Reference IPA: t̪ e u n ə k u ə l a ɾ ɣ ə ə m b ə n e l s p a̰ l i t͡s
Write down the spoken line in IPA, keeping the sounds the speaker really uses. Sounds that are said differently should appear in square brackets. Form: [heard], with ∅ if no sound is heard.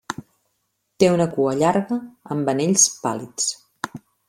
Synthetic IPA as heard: t̪ e u n ə k u ə [ʎ] a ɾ ɣ ə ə m b ə n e [ʎ] s p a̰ l i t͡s